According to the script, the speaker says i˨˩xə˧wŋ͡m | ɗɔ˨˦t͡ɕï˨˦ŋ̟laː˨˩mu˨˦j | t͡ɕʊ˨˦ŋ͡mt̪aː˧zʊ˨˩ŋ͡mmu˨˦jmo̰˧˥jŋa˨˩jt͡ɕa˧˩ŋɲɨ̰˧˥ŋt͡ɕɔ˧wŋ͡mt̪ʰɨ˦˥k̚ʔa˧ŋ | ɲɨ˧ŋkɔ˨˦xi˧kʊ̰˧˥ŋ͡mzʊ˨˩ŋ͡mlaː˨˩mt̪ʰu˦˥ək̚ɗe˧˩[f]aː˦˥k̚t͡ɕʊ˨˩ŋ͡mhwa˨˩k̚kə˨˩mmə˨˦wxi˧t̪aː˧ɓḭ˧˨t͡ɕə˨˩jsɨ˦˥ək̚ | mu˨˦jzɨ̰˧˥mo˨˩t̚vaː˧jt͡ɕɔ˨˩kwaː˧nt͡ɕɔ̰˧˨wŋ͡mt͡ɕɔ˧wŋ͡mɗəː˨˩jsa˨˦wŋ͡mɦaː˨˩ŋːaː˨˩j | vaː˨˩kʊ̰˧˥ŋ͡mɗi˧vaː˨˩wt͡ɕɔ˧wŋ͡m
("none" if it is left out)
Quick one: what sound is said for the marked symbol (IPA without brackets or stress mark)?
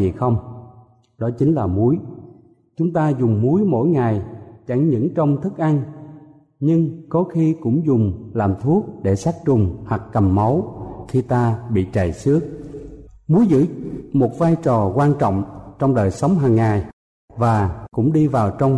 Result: s